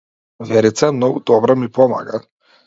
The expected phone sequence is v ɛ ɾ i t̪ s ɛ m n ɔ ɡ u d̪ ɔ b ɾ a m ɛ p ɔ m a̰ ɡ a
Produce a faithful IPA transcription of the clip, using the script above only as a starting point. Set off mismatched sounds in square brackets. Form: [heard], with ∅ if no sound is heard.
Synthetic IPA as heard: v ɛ ɾ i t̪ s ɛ m n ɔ ɡ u d̪ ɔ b ɾ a m [i] p ɔ m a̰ ɡ a